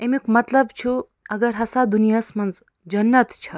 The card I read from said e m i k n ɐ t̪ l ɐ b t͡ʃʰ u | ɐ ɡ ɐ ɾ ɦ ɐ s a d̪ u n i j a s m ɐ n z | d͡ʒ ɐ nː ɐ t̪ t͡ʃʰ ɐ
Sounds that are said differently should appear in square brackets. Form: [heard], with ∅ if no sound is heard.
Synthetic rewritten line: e m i k [m] ɐ t̪ l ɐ b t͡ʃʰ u | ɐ ɡ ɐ ɾ ɦ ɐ s a d̪ u n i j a s m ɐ n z | d͡ʒ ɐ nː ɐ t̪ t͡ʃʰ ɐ